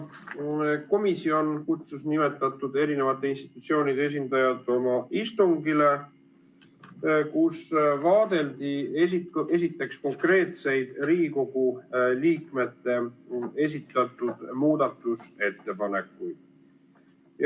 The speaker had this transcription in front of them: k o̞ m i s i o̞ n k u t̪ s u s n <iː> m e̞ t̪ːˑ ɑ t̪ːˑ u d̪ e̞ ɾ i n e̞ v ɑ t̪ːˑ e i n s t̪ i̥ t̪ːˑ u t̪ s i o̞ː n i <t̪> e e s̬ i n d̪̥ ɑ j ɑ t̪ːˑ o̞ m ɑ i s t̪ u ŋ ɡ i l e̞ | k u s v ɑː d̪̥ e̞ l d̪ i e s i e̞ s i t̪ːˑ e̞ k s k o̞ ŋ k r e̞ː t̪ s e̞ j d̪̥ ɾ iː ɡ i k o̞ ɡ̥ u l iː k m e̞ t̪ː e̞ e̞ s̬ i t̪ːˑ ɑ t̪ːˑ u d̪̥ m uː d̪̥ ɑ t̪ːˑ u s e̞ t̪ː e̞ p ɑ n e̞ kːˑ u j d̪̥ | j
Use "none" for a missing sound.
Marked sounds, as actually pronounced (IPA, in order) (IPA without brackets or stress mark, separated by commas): i, d̪